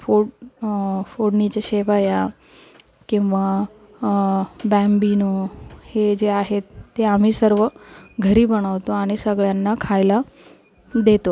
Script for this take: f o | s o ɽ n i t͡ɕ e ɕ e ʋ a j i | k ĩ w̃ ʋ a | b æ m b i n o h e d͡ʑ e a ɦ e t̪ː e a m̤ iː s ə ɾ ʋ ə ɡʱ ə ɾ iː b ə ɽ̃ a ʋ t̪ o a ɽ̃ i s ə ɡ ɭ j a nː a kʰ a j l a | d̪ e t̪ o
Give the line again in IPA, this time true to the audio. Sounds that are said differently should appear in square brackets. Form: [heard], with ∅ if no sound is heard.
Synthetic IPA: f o | [f] o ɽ n i t͡ɕ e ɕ e ʋ a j [a] | k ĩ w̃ ʋ a | b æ m b i n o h e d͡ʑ e a ɦ e t̪ː e a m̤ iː s ə ɾ ʋ ə ɡʱ ə ɾ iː b ə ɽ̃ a ʋ t̪ o a ɽ̃ i s ə ɡ ɭ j a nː a kʰ a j l a | d̪ e t̪ o